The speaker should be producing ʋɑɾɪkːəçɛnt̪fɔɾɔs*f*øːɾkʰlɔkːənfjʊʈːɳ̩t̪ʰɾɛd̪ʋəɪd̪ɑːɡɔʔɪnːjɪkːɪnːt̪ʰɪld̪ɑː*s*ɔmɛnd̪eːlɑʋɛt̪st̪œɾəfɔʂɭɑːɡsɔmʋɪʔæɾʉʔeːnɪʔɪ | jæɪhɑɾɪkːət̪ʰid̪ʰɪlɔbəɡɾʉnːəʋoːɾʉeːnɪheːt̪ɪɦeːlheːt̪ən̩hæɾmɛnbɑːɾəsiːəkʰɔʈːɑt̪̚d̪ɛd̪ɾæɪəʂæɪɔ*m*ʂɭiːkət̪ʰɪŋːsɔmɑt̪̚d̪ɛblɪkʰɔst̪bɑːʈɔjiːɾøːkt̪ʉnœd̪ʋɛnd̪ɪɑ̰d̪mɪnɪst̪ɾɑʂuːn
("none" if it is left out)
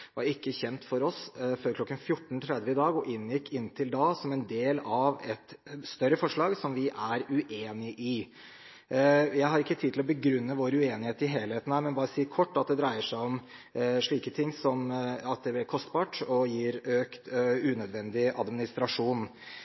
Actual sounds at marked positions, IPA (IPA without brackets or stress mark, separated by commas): f, s, m